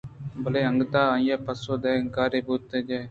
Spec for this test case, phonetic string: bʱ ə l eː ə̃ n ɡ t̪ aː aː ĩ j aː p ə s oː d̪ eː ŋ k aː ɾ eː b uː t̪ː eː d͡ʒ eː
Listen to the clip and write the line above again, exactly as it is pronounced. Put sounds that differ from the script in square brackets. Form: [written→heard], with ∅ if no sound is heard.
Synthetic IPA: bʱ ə l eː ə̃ [n→ŋ] ɡ t̪ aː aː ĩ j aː p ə s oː d̪ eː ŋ k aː ɾ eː b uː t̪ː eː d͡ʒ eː